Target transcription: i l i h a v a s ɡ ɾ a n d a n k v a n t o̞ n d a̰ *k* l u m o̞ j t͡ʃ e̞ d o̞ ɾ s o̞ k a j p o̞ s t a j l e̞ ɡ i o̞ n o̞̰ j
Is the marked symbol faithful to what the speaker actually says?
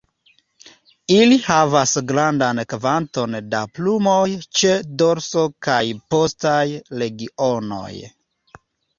no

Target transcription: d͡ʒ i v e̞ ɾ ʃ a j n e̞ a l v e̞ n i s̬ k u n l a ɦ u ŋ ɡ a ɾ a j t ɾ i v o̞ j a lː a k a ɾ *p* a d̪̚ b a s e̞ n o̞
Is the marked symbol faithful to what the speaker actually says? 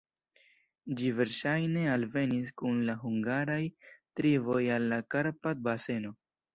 yes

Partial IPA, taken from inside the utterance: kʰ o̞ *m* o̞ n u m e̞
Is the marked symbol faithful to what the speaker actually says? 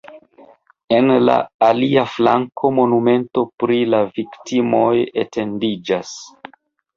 yes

